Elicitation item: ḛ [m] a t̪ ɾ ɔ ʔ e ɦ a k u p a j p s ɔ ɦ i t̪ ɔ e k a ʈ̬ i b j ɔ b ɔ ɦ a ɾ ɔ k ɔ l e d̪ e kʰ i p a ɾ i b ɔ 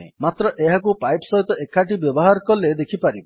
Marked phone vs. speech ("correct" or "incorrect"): correct